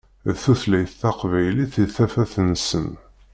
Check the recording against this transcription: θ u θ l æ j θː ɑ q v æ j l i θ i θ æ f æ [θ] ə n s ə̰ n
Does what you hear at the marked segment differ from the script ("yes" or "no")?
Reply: no